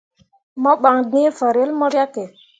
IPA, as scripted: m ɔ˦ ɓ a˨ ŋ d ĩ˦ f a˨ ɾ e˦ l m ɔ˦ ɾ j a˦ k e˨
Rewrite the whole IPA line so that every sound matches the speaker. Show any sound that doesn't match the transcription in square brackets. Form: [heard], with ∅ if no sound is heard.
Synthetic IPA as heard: m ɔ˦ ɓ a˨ ŋ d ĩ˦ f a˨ ɾ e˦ l m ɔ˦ ɾ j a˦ k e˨